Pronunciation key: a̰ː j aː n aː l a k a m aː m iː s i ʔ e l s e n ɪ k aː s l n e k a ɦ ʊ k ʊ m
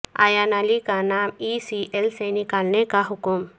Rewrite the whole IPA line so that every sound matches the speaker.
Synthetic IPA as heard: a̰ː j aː n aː l i k a n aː m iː s i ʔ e l s e n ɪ k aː l n e k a ɦ ʊ k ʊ m